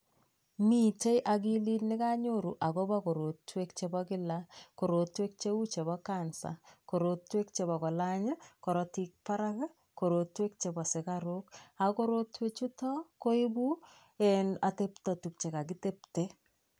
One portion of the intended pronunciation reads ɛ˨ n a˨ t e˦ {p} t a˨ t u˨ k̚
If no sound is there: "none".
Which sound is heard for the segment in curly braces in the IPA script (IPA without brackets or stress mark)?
p